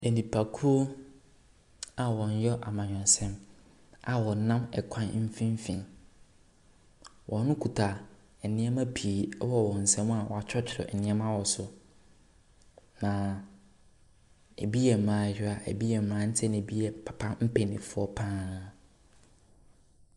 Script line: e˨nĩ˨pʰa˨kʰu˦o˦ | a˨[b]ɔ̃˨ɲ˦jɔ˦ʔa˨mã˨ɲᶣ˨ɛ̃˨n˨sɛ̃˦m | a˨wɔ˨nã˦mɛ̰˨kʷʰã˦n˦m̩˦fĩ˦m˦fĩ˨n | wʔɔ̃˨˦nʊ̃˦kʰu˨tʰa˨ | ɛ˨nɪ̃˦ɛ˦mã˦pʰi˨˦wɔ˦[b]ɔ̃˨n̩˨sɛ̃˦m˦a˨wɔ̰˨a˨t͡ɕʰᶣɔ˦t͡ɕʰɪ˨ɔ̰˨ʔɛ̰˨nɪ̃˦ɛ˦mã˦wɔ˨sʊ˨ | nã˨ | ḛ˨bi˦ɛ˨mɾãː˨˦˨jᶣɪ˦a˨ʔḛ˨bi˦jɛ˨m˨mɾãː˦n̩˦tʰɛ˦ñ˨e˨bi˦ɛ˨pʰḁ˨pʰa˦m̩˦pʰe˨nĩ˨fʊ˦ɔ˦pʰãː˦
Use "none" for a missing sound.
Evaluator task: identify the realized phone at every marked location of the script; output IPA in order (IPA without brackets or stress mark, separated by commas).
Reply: w, w